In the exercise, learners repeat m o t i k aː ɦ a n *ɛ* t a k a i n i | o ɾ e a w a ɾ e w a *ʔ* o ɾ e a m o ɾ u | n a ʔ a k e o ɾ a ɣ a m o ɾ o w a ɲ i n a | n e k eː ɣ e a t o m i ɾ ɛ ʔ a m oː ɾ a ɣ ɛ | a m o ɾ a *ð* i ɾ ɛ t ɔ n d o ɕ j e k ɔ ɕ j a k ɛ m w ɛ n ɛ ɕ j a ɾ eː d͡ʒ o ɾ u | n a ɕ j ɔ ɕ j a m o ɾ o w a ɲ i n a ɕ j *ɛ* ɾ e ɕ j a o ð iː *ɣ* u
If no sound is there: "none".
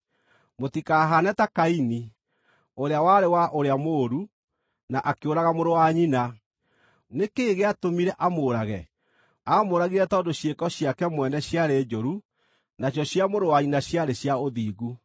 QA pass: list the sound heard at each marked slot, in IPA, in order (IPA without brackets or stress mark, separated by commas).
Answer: ɛ, ʔ, ɣ, a, ɣ